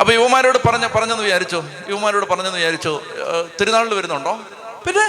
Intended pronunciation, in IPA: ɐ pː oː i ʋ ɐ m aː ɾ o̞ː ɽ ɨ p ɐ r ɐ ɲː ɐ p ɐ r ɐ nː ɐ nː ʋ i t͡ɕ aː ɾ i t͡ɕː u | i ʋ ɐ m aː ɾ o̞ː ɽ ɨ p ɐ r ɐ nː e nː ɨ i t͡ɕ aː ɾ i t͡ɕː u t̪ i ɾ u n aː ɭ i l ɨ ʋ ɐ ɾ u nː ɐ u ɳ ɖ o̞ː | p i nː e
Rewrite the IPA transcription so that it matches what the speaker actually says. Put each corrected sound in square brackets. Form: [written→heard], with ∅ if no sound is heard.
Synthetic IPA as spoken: ɐ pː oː i ʋ ɐ m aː ɾ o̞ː ɽ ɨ p ɐ r ɐ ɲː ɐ p ɐ r ɐ [nː→ɲː] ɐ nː ʋ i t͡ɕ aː ɾ i t͡ɕː u | i ʋ ɐ m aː ɾ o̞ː ɽ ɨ p ɐ r ɐ [nː→ɲː] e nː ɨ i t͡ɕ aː ɾ i t͡ɕː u t̪ i ɾ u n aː ɭ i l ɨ ʋ ɐ ɾ u nː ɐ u ɳ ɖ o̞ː | p i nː e